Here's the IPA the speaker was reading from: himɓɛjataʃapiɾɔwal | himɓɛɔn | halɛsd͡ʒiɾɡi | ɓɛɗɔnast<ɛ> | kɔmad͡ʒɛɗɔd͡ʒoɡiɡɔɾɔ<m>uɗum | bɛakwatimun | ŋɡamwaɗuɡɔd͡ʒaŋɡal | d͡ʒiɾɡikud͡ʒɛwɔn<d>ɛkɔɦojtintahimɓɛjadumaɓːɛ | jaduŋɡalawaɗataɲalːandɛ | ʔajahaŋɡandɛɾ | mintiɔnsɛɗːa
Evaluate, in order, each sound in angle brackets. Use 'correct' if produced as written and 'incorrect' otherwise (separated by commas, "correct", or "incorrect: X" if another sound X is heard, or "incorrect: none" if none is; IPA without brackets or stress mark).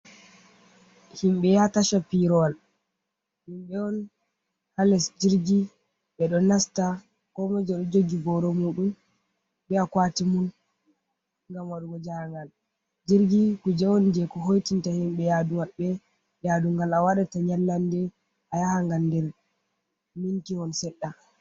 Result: incorrect: a, correct, incorrect: d͡ʒ